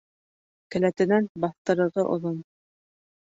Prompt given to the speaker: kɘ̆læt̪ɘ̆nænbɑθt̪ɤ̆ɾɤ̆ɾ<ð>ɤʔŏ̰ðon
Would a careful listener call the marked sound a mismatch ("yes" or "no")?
yes